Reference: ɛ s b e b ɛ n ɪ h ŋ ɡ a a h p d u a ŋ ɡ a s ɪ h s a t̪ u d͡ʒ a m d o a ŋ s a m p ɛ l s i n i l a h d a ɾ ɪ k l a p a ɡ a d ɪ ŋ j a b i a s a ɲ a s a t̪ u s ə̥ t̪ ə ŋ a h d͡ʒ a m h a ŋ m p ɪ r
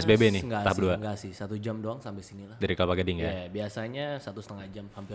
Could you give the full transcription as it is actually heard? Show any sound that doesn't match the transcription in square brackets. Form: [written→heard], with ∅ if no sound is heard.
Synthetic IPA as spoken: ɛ s b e b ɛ n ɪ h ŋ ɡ a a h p d u a ŋ ɡ a s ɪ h s a t̪ u d͡ʒ a m d o a ŋ s a m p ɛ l s i n i l a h d a ɾ [ɪ→i] k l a p a ɡ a d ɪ ŋ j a b i a s a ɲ a s a t̪ u s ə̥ t̪ ə ŋ a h d͡ʒ a m h a [ŋ→∅] m p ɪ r